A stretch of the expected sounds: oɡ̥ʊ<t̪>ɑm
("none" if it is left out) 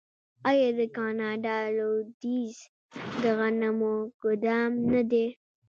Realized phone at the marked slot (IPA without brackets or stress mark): d̪